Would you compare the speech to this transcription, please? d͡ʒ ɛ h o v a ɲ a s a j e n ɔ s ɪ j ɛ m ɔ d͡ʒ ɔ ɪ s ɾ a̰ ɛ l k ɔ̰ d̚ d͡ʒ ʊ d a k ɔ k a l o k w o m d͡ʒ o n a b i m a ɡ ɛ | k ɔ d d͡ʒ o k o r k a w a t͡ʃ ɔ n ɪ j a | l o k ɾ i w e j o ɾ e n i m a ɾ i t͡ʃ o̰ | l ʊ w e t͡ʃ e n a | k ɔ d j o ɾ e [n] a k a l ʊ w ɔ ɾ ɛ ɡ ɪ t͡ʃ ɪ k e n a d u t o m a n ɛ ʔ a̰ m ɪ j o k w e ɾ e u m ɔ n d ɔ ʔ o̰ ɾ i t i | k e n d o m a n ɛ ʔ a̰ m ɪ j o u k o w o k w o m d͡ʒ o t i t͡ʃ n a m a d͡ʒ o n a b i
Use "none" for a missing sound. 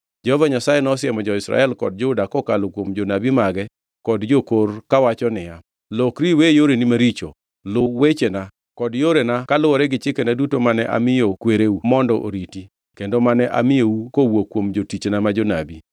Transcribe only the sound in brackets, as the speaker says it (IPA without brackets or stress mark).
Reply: n